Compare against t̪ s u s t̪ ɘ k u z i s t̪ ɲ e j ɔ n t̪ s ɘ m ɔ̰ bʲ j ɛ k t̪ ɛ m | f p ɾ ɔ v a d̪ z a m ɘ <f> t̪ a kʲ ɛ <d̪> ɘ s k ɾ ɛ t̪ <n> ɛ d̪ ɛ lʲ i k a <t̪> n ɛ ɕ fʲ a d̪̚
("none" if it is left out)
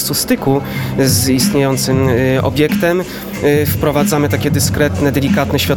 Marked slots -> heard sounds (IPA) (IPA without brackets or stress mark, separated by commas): none, d̪, n, t̪